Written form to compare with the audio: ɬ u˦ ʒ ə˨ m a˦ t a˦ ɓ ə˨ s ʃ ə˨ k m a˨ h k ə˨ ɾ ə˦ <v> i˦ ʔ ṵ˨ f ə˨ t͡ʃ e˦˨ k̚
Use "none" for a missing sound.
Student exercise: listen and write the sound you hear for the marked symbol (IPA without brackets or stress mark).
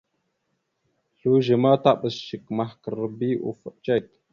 b